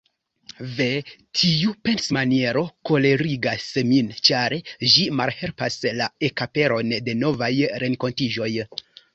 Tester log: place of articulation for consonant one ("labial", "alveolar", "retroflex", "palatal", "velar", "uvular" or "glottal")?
labial